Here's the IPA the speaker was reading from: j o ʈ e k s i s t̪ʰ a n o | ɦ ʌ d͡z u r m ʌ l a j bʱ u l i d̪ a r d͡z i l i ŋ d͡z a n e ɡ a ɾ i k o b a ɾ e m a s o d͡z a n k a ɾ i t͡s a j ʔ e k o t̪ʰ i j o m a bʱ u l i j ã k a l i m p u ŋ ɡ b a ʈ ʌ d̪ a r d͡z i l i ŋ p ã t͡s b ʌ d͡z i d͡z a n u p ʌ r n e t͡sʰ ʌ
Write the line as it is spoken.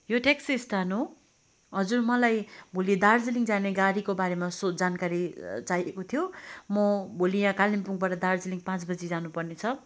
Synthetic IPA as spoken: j o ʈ e k s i s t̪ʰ a n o | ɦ ʌ d͡z u r m ʌ l a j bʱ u l i d̪ a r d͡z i l i ŋ d͡z a n e ɡ a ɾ i k o b a ɾ e m a s o d͡z a n k a ɾ i t͡s a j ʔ e k o t̪ʰ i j o m ʌ bʱ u l i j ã k a l i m p u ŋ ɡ b a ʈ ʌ d̪ a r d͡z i l i ŋ p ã t͡s b ʌ d͡z i d͡z a n u p ʌ r n e t͡sʰ ʌ